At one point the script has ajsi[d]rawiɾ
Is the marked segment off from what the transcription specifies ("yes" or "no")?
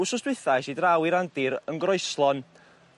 no